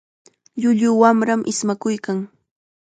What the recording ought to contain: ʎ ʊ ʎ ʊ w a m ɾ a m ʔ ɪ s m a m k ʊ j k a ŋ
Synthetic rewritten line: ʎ ʊ ʎ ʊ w a m ɾ a m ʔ ɪ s m a k ʊ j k a ŋ